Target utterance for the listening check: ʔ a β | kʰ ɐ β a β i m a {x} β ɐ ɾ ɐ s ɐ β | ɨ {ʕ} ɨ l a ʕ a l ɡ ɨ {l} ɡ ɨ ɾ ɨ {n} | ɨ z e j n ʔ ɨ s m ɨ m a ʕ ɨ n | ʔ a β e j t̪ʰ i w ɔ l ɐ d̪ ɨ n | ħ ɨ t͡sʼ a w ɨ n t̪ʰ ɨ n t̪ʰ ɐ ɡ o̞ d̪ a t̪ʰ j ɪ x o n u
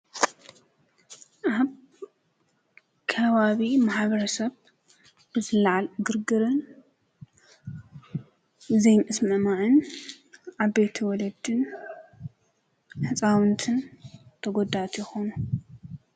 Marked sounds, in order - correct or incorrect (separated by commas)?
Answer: incorrect, incorrect, incorrect, correct